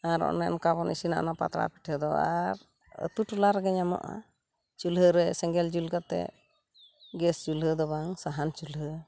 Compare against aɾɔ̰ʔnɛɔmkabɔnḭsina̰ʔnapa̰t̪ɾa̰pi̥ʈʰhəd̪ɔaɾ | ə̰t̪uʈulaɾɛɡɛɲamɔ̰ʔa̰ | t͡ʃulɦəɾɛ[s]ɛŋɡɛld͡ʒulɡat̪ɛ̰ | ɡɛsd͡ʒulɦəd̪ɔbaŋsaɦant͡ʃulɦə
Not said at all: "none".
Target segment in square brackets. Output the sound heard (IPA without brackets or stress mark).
s